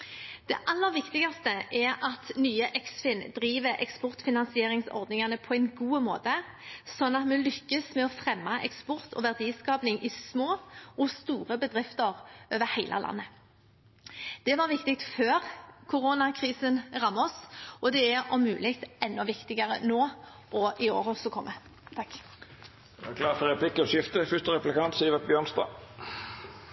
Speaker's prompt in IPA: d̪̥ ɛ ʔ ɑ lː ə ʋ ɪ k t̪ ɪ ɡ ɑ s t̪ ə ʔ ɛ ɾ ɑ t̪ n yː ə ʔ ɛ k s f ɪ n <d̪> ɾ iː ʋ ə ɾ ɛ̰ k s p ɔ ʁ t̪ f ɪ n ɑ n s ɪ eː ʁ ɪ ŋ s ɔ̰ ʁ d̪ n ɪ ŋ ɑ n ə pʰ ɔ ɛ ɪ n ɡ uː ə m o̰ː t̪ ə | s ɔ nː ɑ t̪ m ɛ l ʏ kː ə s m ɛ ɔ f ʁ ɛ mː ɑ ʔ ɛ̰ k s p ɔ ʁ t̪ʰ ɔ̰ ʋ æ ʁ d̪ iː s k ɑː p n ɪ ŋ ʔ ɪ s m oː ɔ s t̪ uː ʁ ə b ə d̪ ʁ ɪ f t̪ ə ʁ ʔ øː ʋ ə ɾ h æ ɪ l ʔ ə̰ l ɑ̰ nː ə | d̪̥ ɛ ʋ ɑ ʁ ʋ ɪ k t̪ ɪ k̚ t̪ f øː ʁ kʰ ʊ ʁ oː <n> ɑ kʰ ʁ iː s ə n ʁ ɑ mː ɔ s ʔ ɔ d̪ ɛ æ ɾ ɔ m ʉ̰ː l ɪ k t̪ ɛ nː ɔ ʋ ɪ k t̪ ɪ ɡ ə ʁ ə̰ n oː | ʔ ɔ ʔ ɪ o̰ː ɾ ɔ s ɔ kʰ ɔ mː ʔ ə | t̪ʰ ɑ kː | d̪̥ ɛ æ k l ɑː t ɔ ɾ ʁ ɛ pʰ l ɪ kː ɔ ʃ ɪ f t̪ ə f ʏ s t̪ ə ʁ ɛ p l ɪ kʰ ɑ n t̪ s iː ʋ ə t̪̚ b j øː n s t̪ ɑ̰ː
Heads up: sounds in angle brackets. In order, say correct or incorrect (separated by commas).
correct, correct